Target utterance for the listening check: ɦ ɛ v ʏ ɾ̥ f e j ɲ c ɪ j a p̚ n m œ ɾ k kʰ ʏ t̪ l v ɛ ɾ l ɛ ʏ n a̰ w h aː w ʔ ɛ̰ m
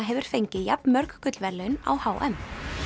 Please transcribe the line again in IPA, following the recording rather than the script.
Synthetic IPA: ɦ ɛ v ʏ ɾ̥ f e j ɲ c ɪ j a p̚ n m œ ɾ k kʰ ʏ t̪ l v ɛ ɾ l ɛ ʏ n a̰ w h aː w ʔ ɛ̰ m